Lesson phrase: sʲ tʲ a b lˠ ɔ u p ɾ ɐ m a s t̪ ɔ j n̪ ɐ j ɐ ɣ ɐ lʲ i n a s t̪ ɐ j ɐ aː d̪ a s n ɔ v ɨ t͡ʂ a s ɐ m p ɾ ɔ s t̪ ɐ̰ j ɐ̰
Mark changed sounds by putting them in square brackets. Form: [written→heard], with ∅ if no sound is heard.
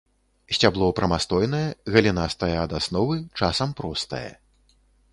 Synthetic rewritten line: sʲ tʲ a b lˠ ɔ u p ɾ ɐ m a s t̪ ɔ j n̪ ɐ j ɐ ɣ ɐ lʲ i n a s t̪ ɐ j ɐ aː d̪ a s n ɔ v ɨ t͡ʂ a s ɐ m p ɾ ɔ s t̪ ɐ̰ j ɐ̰

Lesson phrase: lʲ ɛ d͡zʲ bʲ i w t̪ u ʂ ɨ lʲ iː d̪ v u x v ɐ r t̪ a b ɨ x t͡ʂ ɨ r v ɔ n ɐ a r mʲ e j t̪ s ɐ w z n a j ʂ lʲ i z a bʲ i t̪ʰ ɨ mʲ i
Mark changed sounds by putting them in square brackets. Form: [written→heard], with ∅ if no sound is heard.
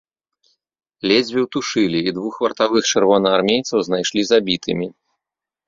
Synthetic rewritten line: lʲ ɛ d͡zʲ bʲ i w t̪ u ʂ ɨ lʲ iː d̪ v u x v ɐ r t̪ a [b→v] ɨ x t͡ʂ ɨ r v ɔ n ɐ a r mʲ e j t̪ s ɐ w z n a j ʂ lʲ i z a bʲ i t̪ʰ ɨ mʲ i

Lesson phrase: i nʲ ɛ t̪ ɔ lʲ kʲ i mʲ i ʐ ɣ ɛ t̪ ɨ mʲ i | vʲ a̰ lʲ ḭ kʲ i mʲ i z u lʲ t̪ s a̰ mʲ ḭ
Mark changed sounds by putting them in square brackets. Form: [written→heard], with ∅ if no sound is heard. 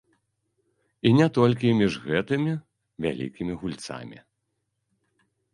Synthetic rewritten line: i nʲ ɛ t̪ ɔ lʲ kʲ i mʲ i ʐ ɣ ɛ t̪ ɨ mʲ i | vʲ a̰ lʲ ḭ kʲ i mʲ i [z→ɣ] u lʲ t̪ s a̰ mʲ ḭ

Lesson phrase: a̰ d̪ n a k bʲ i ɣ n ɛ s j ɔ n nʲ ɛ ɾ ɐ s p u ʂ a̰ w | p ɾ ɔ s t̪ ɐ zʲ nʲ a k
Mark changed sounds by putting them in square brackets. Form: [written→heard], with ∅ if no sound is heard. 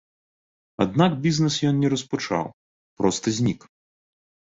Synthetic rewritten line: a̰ d̪ n a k bʲ i [ɣ→z] n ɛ s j ɔ n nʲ ɛ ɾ ɐ s p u [ʂ→t͡ʂ] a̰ w | p ɾ ɔ s t̪ ɐ zʲ nʲ [a→i] k

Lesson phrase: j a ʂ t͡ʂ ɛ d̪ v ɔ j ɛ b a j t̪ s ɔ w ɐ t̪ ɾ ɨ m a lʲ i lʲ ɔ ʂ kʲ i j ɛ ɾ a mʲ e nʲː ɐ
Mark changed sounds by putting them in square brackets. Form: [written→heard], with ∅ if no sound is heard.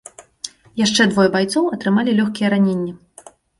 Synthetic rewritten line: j a ʂ t͡ʂ ɛ d̪ v ɔ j ɛ b a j t̪ s ɔ w ɐ t̪ ɾ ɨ m a lʲ i lʲ ɔ [ʂ→x] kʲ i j ɛ ɾ a [mʲ→nʲ] e nʲː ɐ

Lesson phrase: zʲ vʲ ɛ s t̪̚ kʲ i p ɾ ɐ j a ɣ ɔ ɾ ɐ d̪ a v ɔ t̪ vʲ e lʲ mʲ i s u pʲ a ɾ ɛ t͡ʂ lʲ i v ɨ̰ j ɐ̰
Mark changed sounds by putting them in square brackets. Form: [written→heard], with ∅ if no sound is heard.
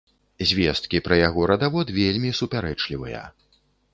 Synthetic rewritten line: zʲ vʲ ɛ s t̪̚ kʲ i p ɾ ɐ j a ɣ ɔ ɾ ɐ d̪ a v ɔ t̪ vʲ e lʲ mʲ i s u pʲ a ɾ ɛ t͡ʂ lʲ i v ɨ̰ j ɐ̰

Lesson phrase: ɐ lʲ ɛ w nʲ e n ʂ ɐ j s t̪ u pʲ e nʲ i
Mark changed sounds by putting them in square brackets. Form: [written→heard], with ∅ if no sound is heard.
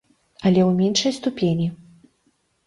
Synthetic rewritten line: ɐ lʲ ɛ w [nʲ→mʲ] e n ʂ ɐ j s t̪ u pʲ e nʲ i

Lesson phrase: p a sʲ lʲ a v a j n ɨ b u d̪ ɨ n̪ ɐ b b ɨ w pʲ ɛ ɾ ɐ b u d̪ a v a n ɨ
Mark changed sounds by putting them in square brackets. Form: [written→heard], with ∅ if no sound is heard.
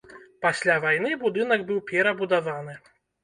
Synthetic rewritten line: p a sʲ lʲ a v a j n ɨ b u d̪ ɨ n̪ ɐ [b→ɡ] b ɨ w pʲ ɛ ɾ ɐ b u d̪ a v a n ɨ

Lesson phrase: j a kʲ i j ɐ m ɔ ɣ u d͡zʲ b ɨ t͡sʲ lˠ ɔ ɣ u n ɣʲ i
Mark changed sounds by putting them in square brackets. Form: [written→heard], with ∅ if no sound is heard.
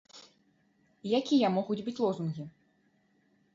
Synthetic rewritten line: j a kʲ i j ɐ m ɔ ɣ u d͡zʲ b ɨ t͡sʲ lˠ ɔ [ɣ→z] u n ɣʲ i

